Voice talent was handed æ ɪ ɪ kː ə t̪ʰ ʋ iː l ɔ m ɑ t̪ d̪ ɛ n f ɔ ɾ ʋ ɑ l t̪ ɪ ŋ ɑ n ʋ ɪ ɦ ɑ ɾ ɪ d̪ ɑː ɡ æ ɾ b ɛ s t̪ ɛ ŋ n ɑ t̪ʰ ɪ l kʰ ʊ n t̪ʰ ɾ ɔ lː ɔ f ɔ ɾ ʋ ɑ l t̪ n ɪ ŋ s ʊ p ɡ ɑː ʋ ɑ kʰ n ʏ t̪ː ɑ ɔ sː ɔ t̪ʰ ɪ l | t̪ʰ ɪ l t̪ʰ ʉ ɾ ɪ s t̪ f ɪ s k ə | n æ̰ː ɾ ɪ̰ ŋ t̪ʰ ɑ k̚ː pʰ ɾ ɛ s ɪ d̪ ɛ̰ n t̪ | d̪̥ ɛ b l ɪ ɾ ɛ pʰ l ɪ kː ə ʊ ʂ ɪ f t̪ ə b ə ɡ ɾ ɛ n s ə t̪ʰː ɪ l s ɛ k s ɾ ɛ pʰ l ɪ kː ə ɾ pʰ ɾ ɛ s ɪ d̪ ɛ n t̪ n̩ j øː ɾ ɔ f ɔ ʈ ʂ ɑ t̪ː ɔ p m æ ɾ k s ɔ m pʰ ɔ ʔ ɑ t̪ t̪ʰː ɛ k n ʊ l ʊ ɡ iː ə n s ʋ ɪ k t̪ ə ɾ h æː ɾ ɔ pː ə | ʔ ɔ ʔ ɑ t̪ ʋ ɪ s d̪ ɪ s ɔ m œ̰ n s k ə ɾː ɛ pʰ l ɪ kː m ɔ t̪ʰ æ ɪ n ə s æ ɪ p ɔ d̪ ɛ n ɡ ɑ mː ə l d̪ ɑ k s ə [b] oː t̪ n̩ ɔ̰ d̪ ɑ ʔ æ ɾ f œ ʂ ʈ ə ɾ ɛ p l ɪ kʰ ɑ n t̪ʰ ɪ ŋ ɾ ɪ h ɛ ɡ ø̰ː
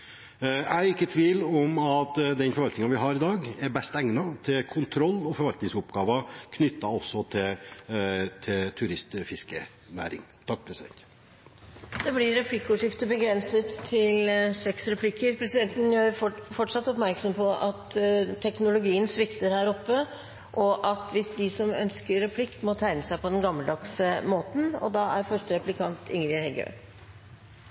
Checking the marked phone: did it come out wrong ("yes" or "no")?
yes